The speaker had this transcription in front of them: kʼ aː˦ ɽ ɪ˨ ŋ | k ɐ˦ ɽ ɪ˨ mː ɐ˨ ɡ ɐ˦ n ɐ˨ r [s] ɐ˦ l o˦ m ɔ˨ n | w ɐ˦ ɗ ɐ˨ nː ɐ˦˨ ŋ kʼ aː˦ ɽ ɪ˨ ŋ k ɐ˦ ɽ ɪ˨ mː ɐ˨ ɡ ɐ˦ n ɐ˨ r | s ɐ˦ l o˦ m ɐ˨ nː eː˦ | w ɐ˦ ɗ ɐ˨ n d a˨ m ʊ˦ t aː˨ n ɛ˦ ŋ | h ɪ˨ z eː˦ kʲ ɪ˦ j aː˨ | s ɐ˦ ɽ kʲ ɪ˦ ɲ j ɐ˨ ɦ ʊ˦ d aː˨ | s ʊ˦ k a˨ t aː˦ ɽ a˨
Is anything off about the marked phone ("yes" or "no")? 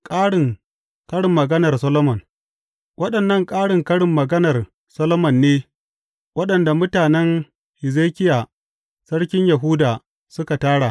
no